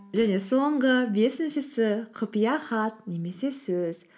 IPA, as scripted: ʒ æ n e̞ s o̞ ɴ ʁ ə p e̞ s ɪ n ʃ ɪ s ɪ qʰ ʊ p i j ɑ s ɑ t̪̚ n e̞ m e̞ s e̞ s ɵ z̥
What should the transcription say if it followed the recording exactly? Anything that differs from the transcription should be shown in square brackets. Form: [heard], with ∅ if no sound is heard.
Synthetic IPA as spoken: ʒ æ n e̞ s o̞ ɴ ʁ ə [b] e̞ s ɪ n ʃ ɪ s ɪ qʰ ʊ p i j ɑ [χ] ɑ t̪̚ n e̞ m e̞ s e̞ s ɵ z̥

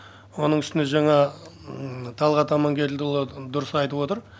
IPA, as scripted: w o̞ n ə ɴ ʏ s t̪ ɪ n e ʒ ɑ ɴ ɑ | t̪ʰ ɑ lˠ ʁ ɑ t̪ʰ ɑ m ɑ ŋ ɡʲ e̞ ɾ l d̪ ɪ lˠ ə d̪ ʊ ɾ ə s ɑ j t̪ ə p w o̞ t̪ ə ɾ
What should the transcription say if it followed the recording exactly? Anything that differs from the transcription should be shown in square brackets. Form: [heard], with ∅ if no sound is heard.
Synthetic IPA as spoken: w o̞ n ə ɴ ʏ s t̪ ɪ n e ʒ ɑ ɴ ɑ | t̪ʰ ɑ lˠ ʁ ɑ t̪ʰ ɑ m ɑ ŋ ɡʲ e̞ ɾ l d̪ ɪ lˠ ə d̪ ʊ ɾ ə s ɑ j t̪ ə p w o̞ t̪ ə ɾ

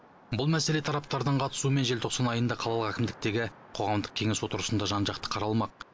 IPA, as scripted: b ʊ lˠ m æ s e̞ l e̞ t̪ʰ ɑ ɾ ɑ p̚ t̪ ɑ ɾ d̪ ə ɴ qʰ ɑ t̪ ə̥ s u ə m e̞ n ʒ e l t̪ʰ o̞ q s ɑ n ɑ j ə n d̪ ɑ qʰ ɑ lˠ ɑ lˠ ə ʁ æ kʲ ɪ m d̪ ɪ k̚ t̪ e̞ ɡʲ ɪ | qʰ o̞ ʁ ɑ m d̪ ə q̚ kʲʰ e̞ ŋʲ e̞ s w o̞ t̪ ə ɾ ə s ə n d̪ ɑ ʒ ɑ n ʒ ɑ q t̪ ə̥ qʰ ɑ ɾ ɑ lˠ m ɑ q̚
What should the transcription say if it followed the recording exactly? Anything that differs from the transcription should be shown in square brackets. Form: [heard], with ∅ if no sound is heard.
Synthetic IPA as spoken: b ʊ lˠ m æ s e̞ l e̞ t̪ʰ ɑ ɾ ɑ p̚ t̪ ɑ ɾ d̪ ə ɴ qʰ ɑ t̪ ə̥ s u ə m e̞ n ʒ e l t̪ʰ o̞ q s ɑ n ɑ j ə n d̪ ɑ qʰ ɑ lˠ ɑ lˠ ə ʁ æ kʲ ɪ m d̪ ɪ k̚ t̪ e̞ ɡʲ ɪ | qʰ o̞ ʁ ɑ m d̪ ə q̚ kʲʰ e̞ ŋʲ e̞ s w o̞ t̪ ə ɾ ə s ə n d̪ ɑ ʒ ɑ n ʒ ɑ q t̪ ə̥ qʰ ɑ ɾ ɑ lˠ m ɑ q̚

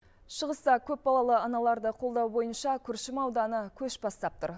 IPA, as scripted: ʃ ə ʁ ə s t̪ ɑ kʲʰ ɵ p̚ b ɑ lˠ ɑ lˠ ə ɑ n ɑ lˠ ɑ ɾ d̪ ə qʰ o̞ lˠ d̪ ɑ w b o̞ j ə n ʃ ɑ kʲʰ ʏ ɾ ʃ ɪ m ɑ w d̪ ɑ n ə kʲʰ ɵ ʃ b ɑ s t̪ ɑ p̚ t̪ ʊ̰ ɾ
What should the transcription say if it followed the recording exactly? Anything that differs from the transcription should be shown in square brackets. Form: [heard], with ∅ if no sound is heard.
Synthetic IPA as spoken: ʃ ə ʁ ə s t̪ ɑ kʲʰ ɵ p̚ b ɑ lˠ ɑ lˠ ə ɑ n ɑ lˠ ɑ ɾ d̪ ə qʰ o̞ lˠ d̪ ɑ w b o̞ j ə n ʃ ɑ kʲʰ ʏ ɾ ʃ ɪ m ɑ w d̪ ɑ n ə kʲʰ ɵ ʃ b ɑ s t̪ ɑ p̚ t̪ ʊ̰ ɾ

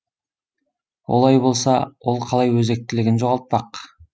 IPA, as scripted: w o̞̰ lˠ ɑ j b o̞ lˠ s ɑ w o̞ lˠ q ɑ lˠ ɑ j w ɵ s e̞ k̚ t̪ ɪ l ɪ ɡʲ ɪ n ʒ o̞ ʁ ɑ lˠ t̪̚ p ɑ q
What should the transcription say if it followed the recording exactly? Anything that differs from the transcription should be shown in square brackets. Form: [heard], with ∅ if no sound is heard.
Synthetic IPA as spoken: w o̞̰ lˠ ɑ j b o̞ lˠ s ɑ w o̞ lˠ [qʰ] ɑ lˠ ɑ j w ɵ [z] e̞ k̚ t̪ ɪ l ɪ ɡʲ ɪ n ʒ o̞ ʁ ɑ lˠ t̪̚ p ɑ q

